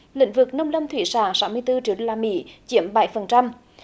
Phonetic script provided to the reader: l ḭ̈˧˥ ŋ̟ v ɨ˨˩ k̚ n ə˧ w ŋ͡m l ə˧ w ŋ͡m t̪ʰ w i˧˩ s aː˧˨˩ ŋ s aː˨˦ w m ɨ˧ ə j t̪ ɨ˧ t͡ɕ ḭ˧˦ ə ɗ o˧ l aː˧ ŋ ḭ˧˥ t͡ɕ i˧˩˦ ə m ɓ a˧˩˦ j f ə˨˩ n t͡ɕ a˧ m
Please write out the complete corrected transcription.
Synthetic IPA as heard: l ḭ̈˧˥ ŋ̟ v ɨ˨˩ k̚ n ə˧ w ŋ͡m l ə˧ w ŋ͡m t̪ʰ w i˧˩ s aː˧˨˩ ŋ s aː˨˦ w m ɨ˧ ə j t̪ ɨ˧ t͡ɕ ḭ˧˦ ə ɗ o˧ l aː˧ m ḭ˧˥ t͡ɕ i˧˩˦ ə m ɓ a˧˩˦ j f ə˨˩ n t͡ɕ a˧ m

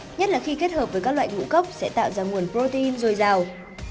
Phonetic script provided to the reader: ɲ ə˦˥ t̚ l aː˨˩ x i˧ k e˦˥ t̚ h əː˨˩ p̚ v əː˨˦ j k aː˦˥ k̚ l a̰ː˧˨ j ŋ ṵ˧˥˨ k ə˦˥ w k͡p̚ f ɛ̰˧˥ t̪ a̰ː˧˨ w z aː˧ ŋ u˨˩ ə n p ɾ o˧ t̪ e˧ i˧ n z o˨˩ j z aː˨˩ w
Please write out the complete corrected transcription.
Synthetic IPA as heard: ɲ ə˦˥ t̚ l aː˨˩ x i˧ k e˦˥ t̚ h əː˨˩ p̚ v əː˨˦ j k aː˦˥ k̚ l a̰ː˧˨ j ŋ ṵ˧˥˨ k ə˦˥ w k͡p̚ s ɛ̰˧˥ t̪ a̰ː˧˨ w z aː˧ ŋ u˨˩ ə n p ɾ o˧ t̪ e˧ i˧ n z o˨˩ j z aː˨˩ w

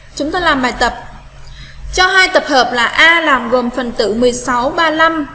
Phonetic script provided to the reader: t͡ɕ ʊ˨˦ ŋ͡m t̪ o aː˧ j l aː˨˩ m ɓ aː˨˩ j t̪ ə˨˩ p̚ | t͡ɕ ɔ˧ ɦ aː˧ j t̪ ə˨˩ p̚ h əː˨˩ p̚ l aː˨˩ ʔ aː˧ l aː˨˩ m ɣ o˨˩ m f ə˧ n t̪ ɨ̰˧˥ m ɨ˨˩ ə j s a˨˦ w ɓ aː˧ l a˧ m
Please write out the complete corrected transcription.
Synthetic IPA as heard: t͡ɕ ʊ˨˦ ŋ͡m t̪ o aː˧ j l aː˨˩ m ɓ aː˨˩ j t̪ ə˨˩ p̚ | t͡ɕ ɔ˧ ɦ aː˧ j t̪ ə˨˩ p̚ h əː˨˩ p̚ l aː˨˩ ʔ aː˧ l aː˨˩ m ɣ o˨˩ m f ə˨˩ n t̪ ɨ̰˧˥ m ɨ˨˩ ə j s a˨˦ w ɓ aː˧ l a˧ m

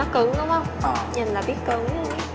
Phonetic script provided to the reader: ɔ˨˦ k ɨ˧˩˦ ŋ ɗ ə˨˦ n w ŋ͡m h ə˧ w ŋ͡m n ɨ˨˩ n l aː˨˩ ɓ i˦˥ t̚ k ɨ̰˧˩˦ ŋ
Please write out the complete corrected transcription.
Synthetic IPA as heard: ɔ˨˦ k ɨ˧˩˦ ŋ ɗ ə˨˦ w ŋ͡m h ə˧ w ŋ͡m ɲ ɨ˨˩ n l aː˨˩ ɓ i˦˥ t̚ k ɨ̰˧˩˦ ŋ

